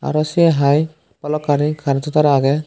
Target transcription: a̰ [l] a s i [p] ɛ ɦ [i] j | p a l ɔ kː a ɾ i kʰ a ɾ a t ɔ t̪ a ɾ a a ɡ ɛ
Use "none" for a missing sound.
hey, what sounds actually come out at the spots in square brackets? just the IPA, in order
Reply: ɾ, none, a

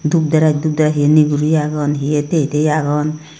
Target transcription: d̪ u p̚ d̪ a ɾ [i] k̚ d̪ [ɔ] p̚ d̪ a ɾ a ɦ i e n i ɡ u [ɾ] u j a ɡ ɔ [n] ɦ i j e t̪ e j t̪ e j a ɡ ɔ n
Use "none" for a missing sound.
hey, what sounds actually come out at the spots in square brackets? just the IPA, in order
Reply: a, u, ɾ, n

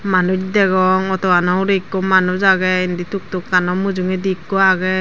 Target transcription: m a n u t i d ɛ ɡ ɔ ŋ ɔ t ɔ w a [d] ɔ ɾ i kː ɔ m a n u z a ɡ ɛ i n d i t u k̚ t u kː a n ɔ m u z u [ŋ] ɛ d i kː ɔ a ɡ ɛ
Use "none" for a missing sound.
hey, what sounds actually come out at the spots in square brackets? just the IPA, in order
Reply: n, ŋ

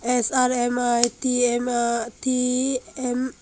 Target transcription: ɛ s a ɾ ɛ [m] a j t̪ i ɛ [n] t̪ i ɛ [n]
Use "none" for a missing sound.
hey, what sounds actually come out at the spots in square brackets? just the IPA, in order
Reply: m, m, m

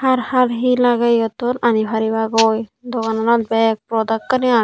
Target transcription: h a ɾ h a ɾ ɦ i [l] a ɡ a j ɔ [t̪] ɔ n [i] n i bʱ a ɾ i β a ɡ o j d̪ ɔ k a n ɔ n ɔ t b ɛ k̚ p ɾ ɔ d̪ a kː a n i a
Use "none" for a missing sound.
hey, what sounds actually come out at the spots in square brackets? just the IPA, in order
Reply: l, t̪, a

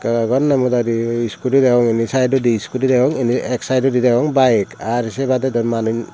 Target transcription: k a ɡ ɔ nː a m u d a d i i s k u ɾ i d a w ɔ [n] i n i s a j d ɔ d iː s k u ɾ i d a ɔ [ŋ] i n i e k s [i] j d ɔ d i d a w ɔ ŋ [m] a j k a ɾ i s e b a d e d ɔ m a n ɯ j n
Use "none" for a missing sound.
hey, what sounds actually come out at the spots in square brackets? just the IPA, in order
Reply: ŋ, ŋ, a, b

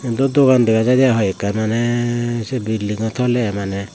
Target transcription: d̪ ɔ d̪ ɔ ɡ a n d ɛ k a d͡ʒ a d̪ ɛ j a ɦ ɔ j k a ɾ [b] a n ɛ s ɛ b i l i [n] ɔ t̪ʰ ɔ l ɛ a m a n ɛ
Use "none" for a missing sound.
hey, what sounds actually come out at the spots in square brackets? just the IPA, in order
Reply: m, ŋ

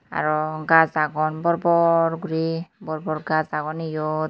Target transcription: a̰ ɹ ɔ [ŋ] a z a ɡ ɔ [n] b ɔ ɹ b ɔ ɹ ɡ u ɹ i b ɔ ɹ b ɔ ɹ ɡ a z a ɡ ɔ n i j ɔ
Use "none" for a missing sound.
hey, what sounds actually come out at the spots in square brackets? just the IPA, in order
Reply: ɡ, n

